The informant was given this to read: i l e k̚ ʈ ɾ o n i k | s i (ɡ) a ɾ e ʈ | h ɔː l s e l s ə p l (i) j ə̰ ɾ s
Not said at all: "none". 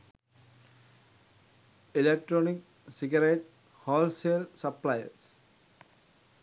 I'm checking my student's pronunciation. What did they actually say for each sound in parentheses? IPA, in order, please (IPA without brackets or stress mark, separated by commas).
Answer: ɡ, a